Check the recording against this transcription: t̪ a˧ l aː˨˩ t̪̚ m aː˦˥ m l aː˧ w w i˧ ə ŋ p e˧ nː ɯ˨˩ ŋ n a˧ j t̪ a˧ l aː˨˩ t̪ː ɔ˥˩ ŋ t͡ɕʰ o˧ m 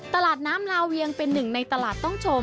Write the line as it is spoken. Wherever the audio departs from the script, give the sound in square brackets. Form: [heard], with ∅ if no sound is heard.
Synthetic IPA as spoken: t̪ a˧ l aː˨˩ t̪̚ [n] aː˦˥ m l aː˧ w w i˧ ə ŋ p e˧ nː ɯ˨˩ ŋ n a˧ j t̪ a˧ l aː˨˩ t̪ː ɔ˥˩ ŋ t͡ɕʰ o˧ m